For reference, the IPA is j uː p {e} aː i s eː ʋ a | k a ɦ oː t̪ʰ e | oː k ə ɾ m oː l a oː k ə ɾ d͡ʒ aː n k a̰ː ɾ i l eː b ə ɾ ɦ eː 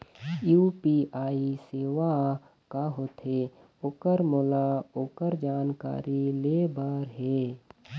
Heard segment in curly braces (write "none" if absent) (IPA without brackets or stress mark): i